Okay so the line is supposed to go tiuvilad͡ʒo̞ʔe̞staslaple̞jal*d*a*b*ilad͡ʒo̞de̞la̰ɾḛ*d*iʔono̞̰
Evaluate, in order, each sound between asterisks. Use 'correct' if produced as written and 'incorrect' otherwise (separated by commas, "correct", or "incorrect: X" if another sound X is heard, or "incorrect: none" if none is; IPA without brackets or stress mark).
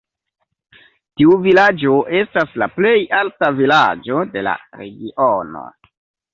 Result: incorrect: t, incorrect: v, incorrect: ɡ